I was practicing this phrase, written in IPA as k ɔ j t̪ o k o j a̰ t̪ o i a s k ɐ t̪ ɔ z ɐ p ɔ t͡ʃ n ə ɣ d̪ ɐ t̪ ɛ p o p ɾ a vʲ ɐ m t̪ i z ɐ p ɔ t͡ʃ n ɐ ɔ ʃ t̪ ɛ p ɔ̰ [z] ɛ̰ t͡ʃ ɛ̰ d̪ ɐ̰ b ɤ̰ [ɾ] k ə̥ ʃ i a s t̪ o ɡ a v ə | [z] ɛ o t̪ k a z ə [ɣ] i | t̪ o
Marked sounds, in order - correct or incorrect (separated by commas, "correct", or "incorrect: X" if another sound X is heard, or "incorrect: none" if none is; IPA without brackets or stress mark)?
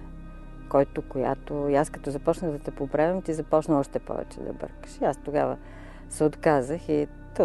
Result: incorrect: v, correct, incorrect: s, incorrect: x